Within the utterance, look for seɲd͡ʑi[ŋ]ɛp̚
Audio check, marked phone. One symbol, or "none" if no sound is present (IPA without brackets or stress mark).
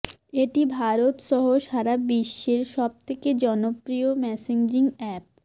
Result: ŋ